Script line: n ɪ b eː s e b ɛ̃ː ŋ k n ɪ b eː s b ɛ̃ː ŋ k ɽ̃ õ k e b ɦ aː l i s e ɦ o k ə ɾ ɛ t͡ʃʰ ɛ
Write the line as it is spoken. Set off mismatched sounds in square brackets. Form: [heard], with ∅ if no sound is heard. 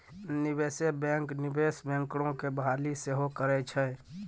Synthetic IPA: n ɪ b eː s e b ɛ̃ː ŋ k n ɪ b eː s b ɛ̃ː ŋ k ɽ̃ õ k e b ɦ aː l i s e ɦ o k ə ɾ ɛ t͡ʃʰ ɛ